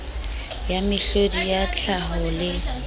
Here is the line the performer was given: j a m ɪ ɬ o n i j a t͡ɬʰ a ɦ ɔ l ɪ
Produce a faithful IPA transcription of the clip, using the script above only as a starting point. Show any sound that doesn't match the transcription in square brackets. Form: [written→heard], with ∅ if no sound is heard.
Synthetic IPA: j a m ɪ ɬ o [n→d] i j a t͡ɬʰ a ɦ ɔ l ɪ